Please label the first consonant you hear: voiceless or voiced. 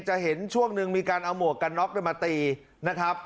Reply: voiceless